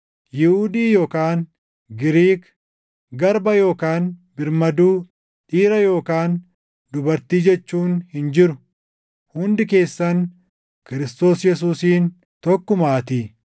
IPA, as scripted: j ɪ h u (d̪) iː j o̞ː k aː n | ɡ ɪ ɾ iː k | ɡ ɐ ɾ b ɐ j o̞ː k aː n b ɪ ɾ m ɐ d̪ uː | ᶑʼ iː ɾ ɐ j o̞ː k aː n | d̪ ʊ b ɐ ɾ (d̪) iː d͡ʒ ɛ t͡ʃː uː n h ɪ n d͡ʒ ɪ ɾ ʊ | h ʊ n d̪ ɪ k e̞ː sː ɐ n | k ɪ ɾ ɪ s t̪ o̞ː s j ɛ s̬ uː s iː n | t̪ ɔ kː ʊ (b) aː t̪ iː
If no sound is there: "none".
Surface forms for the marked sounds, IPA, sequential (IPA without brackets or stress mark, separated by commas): d̪, t̪, m